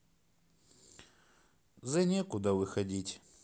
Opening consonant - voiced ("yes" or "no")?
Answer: yes